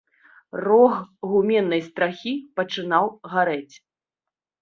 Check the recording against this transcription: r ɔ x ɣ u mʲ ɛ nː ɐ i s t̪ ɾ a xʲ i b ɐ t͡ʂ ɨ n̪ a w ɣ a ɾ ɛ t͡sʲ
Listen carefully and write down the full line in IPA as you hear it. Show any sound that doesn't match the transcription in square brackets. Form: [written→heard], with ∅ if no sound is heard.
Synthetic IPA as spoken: r ɔ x ɣ u mʲ ɛ nː ɐ [i→j] s t̪ ɾ a xʲ i [b→p] ɐ t͡ʂ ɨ n̪ a w ɣ a ɾ ɛ t͡sʲ